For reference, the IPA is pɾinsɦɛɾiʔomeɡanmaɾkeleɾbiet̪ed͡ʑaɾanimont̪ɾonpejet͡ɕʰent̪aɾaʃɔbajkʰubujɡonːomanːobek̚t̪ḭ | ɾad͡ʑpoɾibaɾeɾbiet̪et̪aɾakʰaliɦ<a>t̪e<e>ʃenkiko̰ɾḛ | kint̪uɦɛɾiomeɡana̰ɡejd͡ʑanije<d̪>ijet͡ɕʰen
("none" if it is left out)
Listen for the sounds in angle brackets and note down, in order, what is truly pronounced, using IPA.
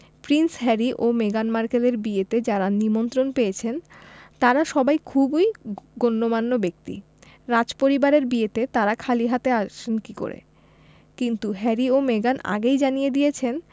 a, a, d̪

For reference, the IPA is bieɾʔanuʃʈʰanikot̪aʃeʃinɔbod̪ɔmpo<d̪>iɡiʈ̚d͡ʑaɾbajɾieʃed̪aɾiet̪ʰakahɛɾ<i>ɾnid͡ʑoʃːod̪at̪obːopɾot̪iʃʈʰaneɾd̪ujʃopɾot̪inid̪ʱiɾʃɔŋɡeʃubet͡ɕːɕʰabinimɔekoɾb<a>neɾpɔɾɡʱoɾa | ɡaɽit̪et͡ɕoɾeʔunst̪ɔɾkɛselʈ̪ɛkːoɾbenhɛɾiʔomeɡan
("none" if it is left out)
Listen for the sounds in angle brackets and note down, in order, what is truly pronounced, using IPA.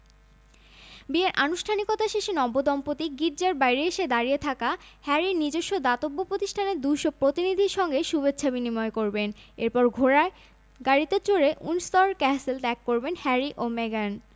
t̪, i, e

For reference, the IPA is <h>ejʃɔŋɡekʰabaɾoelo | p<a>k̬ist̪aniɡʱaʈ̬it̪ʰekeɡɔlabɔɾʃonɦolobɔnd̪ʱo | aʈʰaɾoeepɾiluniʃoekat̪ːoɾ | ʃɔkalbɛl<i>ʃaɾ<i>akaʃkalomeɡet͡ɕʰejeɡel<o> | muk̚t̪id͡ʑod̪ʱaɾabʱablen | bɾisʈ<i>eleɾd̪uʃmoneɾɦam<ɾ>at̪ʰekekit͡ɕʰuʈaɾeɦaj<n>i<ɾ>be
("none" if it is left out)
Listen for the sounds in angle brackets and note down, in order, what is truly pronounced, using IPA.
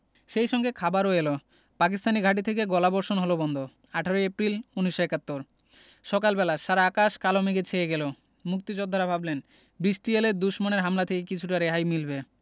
ʃ, a, a, a, o, i, l, m, l

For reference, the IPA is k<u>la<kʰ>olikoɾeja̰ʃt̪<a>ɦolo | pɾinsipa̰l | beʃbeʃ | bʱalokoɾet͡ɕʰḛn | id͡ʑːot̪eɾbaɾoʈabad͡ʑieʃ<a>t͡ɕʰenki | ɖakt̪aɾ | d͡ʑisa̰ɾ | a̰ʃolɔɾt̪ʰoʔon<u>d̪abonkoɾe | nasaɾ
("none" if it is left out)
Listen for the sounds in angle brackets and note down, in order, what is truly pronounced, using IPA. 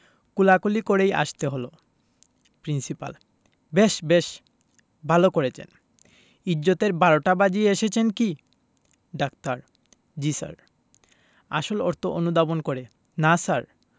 u, k, e, e, u

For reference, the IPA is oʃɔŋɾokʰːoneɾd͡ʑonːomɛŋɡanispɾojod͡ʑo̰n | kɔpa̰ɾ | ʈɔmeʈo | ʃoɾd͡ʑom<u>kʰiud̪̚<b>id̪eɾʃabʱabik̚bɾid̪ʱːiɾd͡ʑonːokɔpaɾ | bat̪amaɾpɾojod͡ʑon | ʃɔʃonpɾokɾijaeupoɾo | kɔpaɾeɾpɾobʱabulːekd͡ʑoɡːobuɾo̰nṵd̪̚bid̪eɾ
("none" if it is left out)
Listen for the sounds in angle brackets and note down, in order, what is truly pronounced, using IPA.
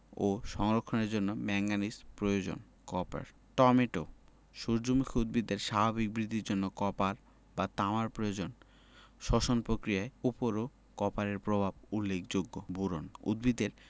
u, b

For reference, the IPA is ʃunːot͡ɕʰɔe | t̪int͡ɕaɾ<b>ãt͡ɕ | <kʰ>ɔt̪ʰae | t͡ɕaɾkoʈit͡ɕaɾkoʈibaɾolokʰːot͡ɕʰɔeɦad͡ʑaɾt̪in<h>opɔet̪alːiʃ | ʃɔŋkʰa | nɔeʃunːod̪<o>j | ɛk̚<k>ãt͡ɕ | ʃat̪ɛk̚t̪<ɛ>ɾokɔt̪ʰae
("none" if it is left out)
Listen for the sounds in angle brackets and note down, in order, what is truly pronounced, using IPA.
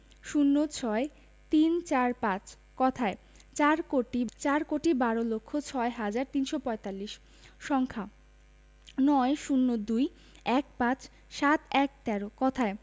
p, k, ʃ, u, p, ɛ

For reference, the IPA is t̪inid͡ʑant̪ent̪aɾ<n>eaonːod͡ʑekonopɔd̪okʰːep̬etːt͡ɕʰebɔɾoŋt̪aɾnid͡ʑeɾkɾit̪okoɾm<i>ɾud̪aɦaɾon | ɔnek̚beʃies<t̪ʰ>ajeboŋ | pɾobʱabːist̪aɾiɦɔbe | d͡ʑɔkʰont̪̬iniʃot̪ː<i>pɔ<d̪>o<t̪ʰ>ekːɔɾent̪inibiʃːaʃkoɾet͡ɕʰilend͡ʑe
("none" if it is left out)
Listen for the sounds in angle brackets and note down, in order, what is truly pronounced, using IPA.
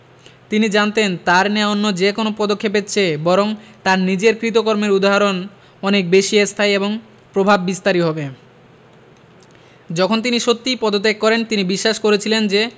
n, e, t̪ʰ, i, d̪, t̪

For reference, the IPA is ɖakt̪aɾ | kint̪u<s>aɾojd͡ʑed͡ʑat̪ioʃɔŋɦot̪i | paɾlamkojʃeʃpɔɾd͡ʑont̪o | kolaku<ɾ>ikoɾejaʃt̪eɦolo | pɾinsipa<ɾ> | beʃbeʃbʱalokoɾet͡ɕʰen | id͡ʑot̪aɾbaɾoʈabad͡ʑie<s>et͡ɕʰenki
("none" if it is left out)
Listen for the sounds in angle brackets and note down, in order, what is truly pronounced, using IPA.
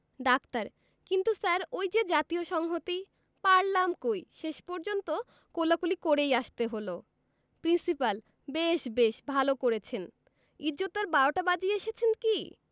s, l, l, ʃ

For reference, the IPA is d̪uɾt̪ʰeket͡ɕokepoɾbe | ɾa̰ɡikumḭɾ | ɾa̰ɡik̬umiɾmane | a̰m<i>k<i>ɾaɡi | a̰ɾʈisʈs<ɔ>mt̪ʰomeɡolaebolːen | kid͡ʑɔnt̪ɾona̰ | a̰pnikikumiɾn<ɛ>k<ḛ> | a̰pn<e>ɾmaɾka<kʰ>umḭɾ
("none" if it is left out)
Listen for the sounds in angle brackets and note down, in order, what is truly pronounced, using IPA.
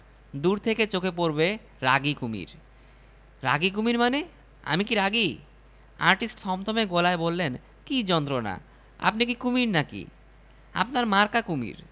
i, i, ɔ, a, ḭ, a, k

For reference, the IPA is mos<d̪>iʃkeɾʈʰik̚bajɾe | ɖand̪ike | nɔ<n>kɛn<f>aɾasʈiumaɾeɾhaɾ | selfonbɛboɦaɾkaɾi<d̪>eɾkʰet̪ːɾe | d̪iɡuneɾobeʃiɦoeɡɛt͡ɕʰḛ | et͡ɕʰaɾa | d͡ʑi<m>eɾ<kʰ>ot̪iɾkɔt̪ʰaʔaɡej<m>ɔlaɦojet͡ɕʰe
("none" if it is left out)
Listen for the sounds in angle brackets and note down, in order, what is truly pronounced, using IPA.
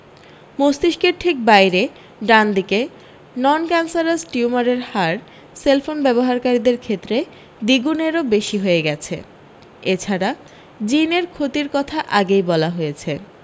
t̪, n, s, d̪, n, kʰ, b

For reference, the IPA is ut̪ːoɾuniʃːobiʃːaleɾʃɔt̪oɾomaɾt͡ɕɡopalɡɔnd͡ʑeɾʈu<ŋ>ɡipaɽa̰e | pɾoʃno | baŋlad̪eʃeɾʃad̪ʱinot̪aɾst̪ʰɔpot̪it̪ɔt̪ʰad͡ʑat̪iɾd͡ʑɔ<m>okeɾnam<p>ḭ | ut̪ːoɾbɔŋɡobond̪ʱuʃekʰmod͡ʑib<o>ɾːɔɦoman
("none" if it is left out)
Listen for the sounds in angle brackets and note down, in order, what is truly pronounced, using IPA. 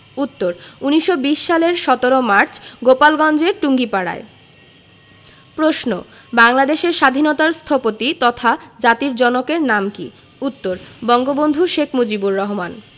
ŋ, n, k, u

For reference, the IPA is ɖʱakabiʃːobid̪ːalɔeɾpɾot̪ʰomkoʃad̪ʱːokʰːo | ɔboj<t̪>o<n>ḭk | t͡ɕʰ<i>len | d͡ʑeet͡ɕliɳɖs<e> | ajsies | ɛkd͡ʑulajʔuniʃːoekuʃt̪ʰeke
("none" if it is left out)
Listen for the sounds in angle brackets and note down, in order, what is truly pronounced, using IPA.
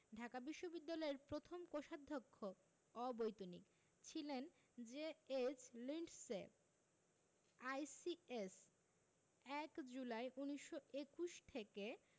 t̪, n, i, e

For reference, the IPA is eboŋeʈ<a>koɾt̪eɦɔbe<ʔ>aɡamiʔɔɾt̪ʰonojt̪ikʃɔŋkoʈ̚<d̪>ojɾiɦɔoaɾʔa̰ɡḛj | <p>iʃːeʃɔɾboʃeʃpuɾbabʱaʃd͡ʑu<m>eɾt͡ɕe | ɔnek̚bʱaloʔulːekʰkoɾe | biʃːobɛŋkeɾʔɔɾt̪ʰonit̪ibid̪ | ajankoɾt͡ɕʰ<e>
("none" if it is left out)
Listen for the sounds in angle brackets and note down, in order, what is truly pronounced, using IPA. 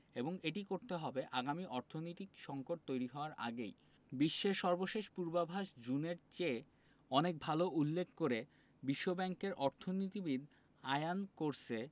i, ʔ, t̪, b, n, e

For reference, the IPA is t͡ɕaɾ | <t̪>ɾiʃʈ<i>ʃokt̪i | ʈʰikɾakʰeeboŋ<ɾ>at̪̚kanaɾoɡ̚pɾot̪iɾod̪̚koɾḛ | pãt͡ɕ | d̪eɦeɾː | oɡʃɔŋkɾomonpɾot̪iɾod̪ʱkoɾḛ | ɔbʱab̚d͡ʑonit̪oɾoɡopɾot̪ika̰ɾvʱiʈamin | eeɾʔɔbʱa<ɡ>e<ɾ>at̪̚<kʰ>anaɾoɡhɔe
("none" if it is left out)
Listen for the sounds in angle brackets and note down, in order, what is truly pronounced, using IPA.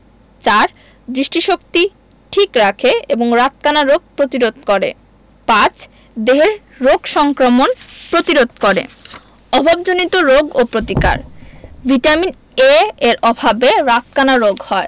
d̪, i, ɾ, b, ɾ, k

